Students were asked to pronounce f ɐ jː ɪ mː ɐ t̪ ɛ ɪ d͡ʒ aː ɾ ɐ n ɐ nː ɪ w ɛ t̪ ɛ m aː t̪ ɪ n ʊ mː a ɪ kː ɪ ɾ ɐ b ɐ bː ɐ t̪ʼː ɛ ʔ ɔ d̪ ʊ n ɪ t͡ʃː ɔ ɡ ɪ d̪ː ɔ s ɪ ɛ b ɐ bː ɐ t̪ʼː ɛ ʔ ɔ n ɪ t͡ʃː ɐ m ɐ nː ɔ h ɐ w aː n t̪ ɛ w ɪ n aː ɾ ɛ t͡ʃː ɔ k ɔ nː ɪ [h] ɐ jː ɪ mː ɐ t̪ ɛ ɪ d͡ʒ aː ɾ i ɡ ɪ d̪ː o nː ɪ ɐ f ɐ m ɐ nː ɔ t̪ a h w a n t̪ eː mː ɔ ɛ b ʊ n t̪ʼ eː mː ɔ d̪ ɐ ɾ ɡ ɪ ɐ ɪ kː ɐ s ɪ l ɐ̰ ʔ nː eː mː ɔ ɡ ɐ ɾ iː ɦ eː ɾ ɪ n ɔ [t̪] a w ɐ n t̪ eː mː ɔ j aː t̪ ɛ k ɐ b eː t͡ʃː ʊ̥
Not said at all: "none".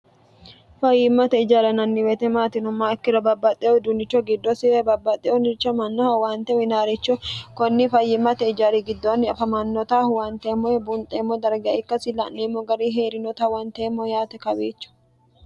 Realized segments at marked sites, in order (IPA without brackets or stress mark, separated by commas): f, t̪